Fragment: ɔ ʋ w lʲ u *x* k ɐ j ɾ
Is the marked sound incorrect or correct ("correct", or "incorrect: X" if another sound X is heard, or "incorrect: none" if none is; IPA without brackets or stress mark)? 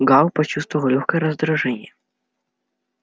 correct